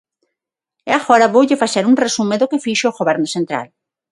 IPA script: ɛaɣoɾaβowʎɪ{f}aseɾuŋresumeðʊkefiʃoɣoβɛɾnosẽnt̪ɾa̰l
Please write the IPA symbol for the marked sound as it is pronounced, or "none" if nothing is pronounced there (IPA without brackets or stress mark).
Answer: f